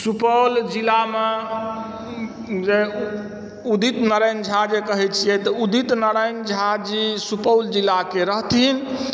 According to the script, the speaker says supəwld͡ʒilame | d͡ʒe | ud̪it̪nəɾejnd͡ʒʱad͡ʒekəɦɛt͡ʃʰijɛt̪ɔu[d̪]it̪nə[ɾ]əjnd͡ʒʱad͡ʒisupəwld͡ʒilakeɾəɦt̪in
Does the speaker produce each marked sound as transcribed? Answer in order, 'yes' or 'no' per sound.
yes, yes

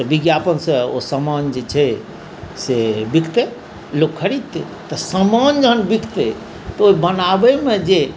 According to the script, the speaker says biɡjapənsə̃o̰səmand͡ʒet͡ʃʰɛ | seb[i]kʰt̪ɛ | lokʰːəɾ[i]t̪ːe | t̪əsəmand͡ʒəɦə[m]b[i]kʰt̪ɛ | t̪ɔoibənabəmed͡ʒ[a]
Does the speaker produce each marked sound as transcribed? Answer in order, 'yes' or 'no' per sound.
yes, yes, no, yes, no

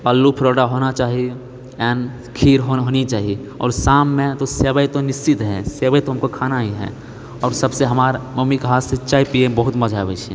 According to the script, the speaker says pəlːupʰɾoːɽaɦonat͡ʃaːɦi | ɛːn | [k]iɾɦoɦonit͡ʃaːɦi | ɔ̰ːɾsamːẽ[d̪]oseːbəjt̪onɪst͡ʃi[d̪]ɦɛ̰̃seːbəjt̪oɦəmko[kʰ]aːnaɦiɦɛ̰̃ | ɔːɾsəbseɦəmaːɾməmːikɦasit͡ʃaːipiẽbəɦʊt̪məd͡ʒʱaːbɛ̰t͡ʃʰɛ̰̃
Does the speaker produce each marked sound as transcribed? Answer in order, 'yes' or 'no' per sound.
no, no, no, yes

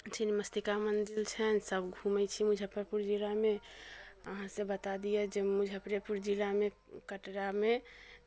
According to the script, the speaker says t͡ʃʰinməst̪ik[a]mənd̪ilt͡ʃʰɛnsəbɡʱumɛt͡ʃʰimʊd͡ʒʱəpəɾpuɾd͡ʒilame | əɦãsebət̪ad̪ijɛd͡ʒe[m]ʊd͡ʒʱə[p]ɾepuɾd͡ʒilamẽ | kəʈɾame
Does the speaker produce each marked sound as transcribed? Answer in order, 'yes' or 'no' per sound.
yes, yes, yes

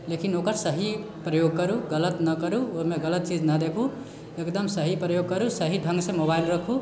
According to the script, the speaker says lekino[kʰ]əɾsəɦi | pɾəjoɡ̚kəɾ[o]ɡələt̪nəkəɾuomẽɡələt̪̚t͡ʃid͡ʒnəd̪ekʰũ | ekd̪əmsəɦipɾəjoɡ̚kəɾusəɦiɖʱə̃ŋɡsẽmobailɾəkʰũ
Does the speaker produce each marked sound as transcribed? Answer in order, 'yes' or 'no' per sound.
no, no

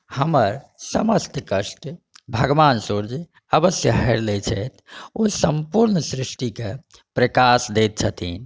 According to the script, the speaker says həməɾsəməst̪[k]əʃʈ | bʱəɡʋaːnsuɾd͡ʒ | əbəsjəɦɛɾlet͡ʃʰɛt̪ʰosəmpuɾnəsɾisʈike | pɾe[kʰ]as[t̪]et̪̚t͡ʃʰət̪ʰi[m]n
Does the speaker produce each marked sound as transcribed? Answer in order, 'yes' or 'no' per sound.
yes, no, no, no

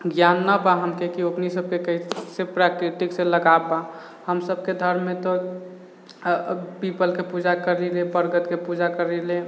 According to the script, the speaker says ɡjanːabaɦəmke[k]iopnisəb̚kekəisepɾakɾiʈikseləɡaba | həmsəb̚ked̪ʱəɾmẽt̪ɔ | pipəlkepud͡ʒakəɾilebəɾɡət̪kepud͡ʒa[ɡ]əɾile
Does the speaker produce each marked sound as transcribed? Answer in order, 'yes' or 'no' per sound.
yes, no

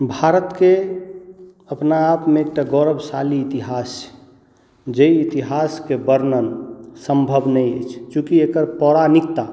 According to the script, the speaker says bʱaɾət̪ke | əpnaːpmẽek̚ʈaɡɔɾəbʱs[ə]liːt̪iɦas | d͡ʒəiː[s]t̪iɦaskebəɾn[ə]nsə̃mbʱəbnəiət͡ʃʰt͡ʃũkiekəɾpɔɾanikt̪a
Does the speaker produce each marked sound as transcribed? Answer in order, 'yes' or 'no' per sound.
no, no, yes

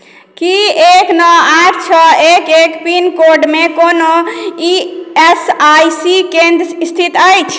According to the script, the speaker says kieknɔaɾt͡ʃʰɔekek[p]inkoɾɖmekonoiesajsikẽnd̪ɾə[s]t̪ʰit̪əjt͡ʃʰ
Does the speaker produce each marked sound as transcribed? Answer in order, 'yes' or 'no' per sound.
yes, yes

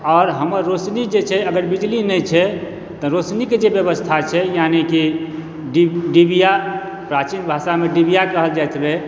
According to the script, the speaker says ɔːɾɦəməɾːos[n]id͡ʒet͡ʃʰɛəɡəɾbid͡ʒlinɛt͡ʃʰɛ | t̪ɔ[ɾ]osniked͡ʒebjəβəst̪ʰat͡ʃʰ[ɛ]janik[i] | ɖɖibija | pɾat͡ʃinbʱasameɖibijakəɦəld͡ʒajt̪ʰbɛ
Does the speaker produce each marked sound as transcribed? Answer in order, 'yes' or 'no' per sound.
yes, yes, yes, yes

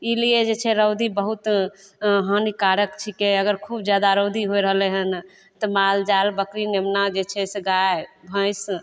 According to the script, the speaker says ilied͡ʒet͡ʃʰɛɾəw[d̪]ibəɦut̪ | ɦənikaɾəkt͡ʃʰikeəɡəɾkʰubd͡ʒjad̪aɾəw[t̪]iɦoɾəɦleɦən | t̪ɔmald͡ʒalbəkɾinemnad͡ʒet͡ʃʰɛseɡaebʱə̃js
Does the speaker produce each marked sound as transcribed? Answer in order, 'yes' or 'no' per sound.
yes, no

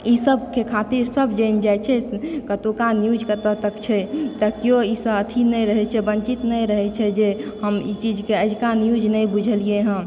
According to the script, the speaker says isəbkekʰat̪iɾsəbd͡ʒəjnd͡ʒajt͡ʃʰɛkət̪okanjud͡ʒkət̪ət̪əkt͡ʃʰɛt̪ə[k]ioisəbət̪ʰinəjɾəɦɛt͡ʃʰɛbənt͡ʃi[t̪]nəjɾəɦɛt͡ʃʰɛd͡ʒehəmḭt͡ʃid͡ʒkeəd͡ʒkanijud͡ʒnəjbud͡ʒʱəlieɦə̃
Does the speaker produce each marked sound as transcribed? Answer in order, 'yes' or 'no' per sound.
yes, yes

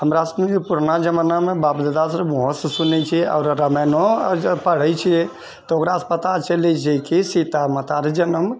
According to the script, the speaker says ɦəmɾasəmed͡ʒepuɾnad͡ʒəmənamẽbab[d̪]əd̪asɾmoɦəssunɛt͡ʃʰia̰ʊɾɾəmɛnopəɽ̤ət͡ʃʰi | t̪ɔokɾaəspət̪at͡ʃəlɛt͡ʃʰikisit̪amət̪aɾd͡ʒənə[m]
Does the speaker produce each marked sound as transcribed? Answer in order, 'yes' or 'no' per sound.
yes, yes

